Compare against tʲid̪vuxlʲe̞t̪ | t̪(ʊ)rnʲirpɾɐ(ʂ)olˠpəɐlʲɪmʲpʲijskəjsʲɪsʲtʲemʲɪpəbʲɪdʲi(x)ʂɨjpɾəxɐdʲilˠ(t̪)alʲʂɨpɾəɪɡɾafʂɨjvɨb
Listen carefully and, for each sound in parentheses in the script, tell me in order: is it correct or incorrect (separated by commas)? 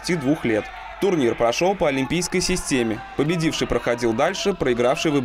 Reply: correct, correct, incorrect, incorrect